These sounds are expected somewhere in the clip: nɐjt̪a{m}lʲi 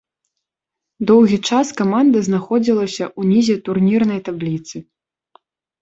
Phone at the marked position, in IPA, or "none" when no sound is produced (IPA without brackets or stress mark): b